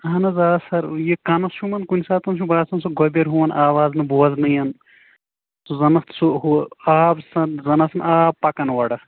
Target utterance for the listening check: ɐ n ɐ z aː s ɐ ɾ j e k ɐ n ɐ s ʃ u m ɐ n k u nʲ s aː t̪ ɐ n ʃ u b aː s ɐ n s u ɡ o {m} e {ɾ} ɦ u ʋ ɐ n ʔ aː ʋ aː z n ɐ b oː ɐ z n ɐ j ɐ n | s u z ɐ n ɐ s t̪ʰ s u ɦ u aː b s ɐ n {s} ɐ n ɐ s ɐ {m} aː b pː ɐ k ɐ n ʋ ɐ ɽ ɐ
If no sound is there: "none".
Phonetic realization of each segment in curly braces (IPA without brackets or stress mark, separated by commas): b, ɾ, z, n